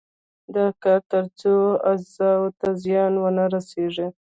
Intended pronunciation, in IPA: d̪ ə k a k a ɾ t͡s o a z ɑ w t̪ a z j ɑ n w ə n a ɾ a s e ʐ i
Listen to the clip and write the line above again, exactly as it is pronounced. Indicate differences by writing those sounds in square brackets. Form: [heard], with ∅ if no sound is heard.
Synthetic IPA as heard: d̪ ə k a k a ɾ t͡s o a z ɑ w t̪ a z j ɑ n w ə n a ɾ a s e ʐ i